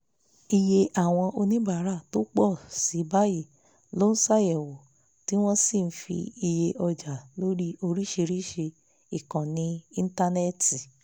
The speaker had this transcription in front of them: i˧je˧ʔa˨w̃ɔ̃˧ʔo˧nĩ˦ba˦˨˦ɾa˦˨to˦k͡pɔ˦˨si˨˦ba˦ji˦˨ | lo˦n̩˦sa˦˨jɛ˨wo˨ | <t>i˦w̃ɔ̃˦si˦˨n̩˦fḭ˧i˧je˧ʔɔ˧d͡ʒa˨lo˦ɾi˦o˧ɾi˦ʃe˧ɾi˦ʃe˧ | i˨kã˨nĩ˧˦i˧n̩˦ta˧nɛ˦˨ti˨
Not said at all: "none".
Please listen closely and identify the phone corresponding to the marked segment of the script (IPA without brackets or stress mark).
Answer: t